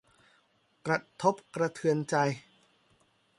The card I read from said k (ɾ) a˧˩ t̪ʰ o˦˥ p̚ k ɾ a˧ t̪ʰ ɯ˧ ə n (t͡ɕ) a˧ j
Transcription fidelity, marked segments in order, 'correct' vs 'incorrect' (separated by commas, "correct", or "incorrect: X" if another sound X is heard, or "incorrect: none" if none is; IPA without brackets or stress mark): correct, correct